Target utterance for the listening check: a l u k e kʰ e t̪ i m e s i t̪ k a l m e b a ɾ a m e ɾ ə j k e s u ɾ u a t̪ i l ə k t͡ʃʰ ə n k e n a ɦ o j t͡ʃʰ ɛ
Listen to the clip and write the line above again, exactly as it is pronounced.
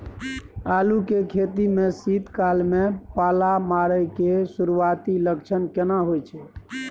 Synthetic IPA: a l u k e kʰ e t̪ i m e s i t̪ k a l m e p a l a m a ɾ ə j k e s u ɾ u a t̪ i l ə k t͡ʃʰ ə n k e n a ɦ o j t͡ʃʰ ɛ

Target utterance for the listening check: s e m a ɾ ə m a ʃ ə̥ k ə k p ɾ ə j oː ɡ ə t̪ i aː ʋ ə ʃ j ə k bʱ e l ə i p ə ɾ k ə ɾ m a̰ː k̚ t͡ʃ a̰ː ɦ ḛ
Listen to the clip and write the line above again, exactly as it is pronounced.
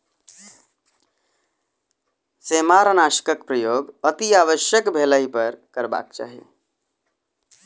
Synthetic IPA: s e m a ɾ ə n a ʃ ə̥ k ə k p ɾ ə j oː ɡ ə t̪ i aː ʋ ə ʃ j ə k bʱ e l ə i p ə ɾ k ə ɾ b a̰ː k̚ t͡ʃ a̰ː ɦ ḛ

